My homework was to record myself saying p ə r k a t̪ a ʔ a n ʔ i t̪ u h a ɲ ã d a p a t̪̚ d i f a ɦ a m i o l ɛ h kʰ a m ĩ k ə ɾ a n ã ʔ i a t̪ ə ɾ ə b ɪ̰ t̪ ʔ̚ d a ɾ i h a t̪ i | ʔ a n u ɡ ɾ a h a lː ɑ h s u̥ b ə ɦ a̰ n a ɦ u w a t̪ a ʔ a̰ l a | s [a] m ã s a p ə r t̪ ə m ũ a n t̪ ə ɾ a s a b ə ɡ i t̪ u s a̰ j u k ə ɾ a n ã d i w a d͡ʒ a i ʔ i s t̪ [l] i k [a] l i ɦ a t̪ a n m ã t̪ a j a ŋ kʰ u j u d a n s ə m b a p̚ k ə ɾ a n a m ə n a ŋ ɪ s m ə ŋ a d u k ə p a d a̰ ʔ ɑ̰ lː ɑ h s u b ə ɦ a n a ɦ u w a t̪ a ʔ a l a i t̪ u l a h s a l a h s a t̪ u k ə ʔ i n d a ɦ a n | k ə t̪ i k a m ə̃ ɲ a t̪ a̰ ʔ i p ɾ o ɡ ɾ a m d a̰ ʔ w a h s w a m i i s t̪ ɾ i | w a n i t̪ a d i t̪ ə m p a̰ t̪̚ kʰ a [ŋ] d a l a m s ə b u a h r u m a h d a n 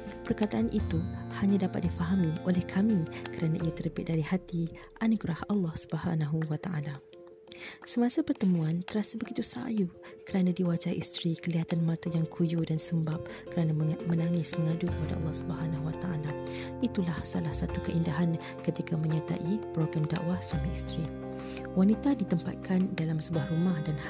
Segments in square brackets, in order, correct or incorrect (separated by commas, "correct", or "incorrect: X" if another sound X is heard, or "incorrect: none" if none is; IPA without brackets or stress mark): incorrect: ə, incorrect: ɾ, incorrect: ə, incorrect: n